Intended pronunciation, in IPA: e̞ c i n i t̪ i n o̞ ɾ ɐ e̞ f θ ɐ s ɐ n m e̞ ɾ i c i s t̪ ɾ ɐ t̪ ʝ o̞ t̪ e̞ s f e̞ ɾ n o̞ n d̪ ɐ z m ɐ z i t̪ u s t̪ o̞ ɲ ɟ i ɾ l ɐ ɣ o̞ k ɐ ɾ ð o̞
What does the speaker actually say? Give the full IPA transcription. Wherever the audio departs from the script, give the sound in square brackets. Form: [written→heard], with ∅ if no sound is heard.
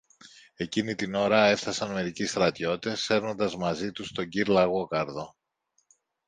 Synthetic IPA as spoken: e̞ c i n i t̪ i n o̞ ɾ ɐ e̞ f θ ɐ s ɐ n m e̞ ɾ i c i s t̪ ɾ ɐ t̪ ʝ o̞ t̪ e̞ s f e̞ ɾ n o̞ n d̪ ɐ z m ɐ z i t̪ u s t̪ o̞ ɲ ɟ i ɾ l ɐ ɣ o̞ k ɐ ɾ ð o̞